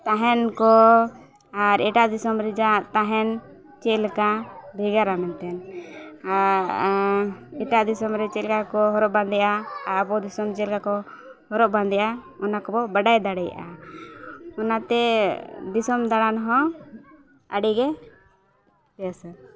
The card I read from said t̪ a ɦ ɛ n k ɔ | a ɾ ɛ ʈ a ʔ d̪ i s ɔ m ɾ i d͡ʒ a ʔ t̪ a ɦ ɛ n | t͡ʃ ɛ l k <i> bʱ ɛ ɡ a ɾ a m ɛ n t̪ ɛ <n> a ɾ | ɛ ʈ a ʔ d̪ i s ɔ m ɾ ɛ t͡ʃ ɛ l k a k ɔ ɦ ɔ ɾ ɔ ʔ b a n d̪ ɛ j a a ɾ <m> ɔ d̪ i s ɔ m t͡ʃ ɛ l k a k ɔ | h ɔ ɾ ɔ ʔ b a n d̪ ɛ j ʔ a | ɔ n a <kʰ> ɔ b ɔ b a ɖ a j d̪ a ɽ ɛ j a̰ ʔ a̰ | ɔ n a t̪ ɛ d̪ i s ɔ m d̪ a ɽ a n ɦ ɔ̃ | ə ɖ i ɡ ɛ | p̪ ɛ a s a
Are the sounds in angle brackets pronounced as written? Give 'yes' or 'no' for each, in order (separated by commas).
no, yes, no, no